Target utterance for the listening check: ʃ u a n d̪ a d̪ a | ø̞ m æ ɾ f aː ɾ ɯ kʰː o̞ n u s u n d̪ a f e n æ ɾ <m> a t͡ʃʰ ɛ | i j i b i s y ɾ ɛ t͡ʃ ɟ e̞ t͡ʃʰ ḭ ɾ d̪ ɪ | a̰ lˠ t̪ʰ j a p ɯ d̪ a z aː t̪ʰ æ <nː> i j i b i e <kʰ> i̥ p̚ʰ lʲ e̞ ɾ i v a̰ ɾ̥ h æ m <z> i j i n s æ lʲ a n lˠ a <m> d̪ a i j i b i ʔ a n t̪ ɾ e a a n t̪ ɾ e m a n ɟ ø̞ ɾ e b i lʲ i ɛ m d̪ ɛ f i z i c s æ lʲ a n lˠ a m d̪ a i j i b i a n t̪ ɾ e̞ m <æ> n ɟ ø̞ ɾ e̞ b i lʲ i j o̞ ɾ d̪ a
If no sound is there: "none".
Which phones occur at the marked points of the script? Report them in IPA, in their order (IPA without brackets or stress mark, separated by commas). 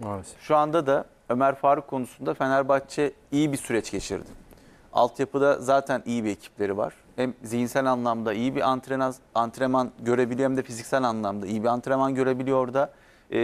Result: b, n, cʰ, z, m, a